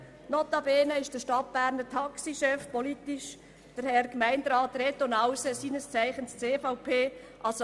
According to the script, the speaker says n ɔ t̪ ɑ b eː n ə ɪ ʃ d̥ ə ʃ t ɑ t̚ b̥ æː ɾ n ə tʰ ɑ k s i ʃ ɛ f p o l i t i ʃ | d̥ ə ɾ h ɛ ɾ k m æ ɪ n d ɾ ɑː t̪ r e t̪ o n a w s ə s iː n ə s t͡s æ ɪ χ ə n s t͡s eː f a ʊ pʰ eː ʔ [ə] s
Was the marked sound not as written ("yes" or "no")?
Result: yes